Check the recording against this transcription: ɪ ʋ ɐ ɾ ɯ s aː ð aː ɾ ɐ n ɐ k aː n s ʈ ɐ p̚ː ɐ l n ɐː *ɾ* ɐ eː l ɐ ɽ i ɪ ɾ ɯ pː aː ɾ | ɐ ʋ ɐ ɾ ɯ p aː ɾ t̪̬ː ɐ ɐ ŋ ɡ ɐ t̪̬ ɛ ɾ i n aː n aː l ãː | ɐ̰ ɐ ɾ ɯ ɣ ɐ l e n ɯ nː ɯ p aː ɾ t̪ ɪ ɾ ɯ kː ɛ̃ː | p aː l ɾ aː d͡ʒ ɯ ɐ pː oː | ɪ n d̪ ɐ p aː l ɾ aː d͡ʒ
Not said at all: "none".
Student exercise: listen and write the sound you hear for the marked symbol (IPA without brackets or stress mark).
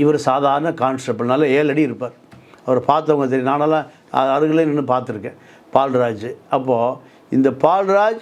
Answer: l